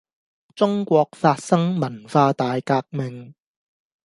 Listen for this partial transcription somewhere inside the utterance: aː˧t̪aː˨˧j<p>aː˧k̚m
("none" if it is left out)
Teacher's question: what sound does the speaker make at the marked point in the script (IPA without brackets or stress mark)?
k